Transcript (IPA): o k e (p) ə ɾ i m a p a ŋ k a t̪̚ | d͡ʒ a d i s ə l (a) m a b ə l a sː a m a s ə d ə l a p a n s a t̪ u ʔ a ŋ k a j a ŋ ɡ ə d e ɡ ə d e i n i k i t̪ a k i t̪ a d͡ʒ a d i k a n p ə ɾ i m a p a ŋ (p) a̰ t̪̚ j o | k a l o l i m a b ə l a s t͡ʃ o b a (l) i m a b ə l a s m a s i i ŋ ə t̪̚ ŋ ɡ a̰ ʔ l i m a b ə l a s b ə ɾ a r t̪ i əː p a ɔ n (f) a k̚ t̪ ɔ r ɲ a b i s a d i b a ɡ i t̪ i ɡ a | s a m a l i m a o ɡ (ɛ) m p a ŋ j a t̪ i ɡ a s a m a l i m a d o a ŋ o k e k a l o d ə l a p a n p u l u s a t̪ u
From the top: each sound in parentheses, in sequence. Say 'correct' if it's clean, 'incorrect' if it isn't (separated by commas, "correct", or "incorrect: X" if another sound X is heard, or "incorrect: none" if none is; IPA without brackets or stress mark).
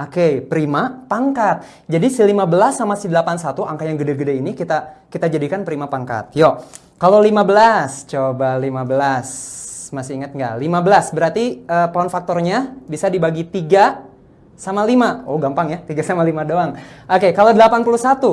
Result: correct, incorrect: i, incorrect: k, correct, correct, incorrect: a